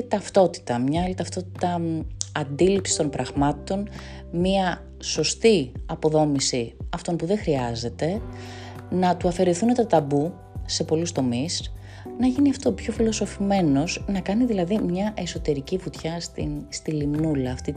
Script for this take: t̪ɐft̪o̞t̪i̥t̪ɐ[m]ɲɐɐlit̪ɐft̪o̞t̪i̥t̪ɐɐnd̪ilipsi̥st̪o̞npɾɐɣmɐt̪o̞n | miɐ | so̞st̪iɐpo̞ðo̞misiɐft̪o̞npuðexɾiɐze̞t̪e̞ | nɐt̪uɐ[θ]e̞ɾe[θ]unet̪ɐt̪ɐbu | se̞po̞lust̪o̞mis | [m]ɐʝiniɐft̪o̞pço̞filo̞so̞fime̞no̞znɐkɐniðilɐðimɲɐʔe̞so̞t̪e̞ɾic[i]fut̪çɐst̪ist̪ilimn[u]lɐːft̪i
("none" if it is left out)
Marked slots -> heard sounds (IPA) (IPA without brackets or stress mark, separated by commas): m, f, θ, n, i, u